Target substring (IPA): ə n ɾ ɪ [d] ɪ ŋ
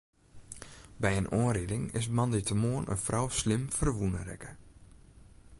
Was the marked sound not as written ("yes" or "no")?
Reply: no